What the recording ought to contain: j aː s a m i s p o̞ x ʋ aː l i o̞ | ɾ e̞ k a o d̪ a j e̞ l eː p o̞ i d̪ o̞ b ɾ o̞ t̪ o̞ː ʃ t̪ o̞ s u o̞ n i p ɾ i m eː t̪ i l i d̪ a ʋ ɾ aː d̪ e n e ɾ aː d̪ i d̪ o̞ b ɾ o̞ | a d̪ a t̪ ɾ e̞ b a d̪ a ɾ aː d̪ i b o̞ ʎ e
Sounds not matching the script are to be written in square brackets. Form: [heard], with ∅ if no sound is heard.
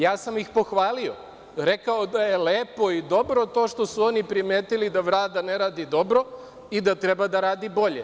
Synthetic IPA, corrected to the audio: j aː s a m i [x] p o̞ x ʋ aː l i o̞ | ɾ e̞ k a o d̪ a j e̞ l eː p o̞ i d̪ o̞ b ɾ o̞ t̪ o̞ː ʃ t̪ o̞ s u o̞ n i p ɾ i m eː t̪ i l i d̪ a ʋ ɾ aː d̪ [a] n e ɾ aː d̪ i d̪ o̞ b ɾ o̞ | [i] d̪ a t̪ ɾ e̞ b a d̪ a ɾ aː d̪ i b o̞ ʎ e